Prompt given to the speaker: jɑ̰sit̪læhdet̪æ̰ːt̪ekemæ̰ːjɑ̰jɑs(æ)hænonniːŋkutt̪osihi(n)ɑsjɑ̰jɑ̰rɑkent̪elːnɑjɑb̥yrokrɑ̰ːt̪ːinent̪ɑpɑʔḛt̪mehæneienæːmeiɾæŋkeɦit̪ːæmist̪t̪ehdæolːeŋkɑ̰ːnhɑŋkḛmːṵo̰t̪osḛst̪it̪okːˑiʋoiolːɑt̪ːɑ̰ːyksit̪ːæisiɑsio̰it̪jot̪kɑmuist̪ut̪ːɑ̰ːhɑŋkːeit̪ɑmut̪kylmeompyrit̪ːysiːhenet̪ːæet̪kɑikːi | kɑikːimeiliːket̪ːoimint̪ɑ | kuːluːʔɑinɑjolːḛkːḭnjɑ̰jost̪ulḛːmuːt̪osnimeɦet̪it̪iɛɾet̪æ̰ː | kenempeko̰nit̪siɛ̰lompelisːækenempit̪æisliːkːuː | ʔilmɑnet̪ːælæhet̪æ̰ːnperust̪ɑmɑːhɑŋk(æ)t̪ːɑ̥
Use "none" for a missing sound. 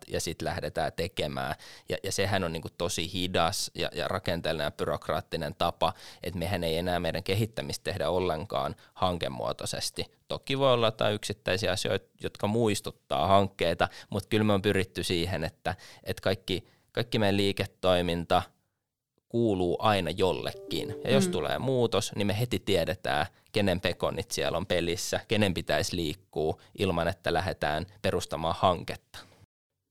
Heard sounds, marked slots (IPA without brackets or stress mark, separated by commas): e, d, e